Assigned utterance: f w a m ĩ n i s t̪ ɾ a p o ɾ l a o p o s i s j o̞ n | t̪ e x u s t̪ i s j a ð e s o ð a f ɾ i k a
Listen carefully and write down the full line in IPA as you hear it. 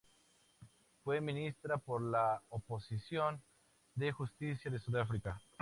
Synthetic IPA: f w e m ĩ n i s t̪ ɾ a p o ɾ l a o p o s i s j o̞ n | d̪ e x u s t̪ i s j a ð e s u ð a f ɾ i k a